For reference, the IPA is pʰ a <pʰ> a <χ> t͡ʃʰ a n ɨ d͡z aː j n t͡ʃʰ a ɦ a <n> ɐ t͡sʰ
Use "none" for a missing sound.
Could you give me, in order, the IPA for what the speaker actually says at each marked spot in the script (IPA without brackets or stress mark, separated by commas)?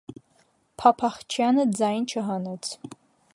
pʰ, χ, n